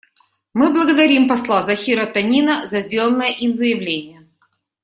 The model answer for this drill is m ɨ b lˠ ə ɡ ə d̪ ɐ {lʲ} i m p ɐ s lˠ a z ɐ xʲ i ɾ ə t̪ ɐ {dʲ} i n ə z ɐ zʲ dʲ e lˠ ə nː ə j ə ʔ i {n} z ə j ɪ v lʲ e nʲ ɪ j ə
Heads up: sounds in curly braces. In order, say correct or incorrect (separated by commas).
incorrect, incorrect, incorrect